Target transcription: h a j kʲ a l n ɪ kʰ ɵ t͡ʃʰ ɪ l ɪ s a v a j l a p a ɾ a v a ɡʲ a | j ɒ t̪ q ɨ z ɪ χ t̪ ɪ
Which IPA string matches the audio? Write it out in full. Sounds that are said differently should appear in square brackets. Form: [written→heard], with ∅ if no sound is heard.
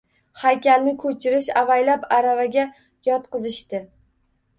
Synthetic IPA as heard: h a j kʲ a l n ɪ kʰ ɵ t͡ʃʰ ɪ [l→ɾ] ɪ [s→ʃ] a v a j l a p a ɾ a v a ɡʲ a | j ɒ t̪ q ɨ z ɪ [χ→ʃ] t̪ ɪ